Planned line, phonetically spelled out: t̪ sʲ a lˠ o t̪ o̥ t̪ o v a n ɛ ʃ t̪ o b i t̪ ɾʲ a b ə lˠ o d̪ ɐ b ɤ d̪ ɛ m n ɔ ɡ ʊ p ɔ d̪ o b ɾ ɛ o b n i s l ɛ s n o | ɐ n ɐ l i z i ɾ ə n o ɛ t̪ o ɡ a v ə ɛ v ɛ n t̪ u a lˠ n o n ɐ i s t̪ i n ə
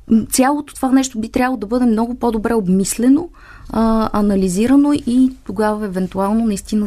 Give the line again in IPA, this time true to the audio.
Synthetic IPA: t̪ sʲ a lˠ o t̪ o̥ t̪ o v a n ɛ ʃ t̪ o b i t̪ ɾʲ a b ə lˠ o d̪ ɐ b ɤ d̪ ɛ m n ɔ ɡ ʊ p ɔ d̪ o b ɾ ɛ o b m i s l ɛ n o | ɐ n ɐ l i z i ɾ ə n o i t̪ o ɡ a v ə ɛ v ɛ n t̪ u a lˠ n o n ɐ i s t̪ i n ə